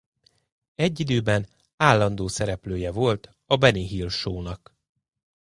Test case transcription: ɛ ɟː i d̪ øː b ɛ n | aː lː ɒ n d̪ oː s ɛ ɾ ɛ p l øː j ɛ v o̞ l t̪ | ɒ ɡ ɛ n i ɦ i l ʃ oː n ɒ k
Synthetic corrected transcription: ɛ ɟː i d̪ øː b ɛ n | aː lː ɒ n d̪ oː s ɛ ɾ ɛ p l øː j ɛ v o̞ l t̪ | ɒ b ɛ n i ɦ i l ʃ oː n ɒ k